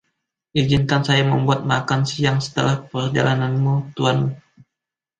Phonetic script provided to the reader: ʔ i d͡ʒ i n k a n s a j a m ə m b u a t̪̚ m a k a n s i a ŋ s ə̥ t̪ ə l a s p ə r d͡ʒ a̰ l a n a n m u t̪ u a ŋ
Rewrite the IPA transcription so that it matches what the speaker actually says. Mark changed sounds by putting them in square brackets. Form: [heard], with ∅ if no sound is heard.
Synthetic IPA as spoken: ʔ i d͡ʒ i n k a n s a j a m ə m b u a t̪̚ m a k a n s i a ŋ s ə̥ t̪ ə l a [h] p ə r d͡ʒ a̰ l a n a n m u t̪ u a [n]